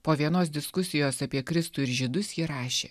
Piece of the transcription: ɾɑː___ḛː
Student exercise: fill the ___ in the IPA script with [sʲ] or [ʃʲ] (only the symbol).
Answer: ʃʲ